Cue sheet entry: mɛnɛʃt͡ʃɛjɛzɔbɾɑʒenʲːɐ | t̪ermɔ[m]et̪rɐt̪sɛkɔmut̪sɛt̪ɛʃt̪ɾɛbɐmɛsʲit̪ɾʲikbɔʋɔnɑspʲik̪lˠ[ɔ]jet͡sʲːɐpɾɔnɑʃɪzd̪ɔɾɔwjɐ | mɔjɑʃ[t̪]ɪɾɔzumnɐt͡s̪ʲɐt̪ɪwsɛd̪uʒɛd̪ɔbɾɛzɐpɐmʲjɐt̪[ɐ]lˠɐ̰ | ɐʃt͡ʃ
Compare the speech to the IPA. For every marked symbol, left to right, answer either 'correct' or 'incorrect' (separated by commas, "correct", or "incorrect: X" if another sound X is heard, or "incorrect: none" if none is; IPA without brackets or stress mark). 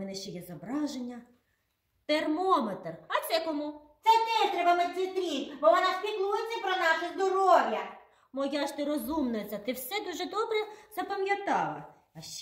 correct, incorrect: u, correct, incorrect: ɑ